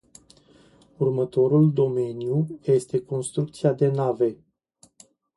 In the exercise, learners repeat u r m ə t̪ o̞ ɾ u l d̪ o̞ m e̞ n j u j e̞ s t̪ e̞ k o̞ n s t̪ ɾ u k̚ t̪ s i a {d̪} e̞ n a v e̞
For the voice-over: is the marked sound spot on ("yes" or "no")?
yes